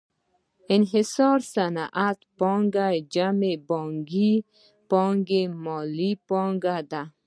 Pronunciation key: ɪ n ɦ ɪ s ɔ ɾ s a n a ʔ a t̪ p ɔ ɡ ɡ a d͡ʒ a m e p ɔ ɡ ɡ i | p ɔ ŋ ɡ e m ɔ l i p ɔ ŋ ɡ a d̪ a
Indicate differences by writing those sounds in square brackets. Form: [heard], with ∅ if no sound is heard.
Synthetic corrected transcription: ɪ n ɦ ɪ s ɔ ɾ s a n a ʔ a t̪ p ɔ [ŋ] ɡ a d͡ʒ a m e [b] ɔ [ŋ] ɡ i | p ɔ ŋ ɡ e m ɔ l i p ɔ ŋ ɡ a d̪ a